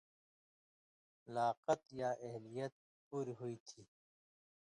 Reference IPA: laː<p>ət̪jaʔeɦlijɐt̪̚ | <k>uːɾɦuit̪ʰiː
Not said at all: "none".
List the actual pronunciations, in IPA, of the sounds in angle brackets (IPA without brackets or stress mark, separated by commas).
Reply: q, p